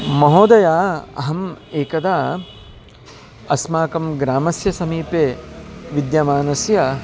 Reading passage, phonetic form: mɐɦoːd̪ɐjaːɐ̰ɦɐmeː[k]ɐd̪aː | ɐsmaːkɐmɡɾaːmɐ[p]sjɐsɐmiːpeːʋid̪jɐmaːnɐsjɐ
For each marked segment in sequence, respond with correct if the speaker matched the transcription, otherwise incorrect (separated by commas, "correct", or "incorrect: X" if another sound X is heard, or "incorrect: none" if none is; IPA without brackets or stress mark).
correct, incorrect: none